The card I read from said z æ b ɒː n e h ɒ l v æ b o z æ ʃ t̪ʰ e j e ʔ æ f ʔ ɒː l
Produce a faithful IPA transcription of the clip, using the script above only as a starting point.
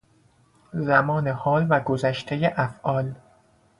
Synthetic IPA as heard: z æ m ɒː n e h ɒː l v æ ɡ o z æ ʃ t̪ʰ e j e ʔ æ f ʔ ɒː l

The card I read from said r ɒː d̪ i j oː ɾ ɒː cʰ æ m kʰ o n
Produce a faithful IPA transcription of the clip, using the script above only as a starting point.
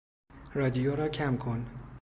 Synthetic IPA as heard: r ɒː d̪ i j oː ɾ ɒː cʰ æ m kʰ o n

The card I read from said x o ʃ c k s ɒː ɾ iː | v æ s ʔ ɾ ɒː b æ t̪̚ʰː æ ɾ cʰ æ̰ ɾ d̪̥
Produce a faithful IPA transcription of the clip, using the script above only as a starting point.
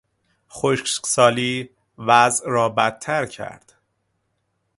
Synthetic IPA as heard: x o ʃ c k s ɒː l iː | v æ z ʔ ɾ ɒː b æ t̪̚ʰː æ ɾ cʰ æ̰ ɾ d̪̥

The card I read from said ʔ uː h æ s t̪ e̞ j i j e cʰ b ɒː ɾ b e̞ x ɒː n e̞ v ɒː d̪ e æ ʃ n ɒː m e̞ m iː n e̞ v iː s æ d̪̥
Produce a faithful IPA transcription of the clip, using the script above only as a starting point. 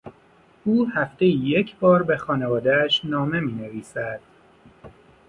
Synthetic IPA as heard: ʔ uː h æ f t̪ e̞ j i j e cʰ b ɒː ɾ b e̞ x ɒː n e̞ v ɒː d̪ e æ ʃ n ɒː m e̞ m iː n e̞ v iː s æ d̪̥

